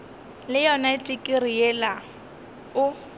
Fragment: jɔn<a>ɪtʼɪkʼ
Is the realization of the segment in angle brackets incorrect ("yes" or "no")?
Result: no